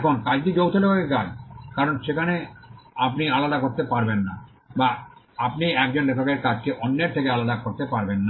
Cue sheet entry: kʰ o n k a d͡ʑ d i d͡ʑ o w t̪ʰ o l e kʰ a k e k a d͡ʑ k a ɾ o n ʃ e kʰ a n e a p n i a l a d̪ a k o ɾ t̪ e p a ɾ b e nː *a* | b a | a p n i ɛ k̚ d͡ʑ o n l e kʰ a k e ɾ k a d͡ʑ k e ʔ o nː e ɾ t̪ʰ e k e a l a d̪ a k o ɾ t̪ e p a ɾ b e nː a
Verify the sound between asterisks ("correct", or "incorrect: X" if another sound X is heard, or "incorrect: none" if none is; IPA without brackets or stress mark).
correct